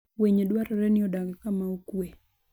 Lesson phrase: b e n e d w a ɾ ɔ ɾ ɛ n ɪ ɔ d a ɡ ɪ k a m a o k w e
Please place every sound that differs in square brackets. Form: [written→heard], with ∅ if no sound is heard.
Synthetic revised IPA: [b→w] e [n→ɲ] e d w a ɾ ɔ ɾ ɛ n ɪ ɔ d a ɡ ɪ k a m a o k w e